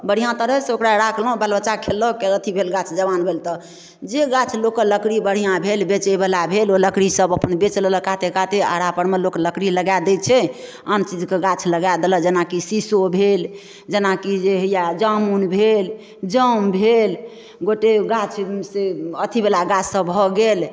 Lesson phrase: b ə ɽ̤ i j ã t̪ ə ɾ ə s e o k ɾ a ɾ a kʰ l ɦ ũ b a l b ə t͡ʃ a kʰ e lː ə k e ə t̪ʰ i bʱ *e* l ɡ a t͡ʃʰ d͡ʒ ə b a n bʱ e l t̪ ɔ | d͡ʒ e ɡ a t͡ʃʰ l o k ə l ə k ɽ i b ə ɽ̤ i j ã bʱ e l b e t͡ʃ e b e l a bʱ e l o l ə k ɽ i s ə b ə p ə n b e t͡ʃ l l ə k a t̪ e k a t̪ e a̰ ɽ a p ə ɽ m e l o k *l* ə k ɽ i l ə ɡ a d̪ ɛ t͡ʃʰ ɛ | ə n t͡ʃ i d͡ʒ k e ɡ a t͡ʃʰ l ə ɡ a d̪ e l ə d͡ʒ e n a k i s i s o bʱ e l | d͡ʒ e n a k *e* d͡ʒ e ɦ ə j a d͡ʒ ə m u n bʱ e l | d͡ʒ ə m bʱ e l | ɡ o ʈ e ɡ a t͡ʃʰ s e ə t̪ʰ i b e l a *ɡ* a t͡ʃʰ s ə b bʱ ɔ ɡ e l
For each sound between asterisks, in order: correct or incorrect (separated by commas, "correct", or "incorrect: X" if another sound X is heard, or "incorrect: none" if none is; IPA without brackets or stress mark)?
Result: correct, correct, incorrect: i, correct